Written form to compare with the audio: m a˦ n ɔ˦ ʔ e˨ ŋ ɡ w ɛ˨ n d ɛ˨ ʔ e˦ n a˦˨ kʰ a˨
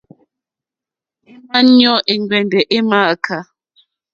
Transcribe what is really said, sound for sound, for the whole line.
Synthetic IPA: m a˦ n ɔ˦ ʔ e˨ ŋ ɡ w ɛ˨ n d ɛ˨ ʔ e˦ m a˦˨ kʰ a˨